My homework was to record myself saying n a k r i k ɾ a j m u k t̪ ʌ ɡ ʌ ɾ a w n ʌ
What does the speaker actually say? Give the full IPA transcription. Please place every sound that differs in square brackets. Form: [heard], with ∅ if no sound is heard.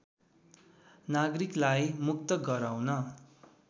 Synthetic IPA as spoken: n a [ɡ] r i k [l] a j m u k t̪ ʌ ɡ ʌ ɾ a w n ʌ